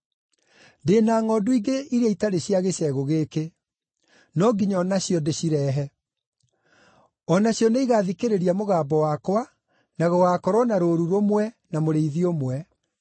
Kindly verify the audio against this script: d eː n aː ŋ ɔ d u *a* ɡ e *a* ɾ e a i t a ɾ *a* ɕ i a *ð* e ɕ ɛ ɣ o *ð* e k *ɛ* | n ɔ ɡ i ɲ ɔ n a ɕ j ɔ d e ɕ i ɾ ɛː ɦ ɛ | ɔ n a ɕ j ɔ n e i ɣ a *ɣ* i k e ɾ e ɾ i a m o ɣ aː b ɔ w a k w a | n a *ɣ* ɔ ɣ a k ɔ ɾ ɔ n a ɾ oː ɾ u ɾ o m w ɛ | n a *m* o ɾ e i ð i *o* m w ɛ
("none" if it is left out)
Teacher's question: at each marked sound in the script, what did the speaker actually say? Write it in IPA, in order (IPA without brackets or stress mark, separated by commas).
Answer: i, i, e, ɣ, ɣ, e, ð, ɣ, m, o